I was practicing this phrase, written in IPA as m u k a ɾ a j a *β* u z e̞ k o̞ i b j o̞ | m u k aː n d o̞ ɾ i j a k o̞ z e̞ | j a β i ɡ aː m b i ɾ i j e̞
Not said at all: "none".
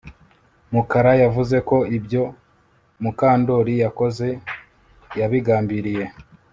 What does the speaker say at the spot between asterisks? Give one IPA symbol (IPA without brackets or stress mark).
v